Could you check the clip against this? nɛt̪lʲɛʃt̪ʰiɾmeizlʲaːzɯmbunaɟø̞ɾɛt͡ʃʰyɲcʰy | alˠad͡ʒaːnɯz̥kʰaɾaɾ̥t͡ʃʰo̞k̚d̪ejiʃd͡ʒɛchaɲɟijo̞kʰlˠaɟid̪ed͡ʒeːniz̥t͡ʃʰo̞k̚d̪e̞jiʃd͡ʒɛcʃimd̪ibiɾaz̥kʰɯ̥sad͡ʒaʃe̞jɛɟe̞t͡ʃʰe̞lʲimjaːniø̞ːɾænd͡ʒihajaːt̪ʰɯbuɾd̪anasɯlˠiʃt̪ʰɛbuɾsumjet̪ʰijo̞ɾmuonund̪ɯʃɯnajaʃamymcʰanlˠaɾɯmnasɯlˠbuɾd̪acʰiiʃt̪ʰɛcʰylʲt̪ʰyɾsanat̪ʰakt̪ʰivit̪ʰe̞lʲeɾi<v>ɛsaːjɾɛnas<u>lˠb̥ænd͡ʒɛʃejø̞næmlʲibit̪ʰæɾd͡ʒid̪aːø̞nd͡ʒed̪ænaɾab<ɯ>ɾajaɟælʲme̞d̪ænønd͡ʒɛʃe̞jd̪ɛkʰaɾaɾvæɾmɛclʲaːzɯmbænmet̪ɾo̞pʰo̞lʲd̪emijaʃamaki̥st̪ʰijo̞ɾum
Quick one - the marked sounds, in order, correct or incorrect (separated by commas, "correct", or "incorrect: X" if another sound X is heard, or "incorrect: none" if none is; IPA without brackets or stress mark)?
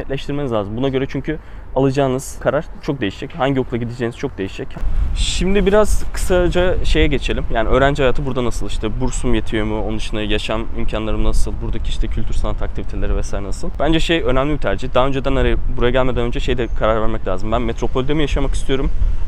correct, incorrect: ɯ, incorrect: u